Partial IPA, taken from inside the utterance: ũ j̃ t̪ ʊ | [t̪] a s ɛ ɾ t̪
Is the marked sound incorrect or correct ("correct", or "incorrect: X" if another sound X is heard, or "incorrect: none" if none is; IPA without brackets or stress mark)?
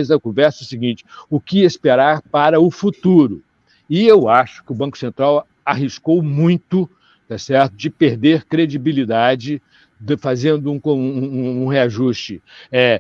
correct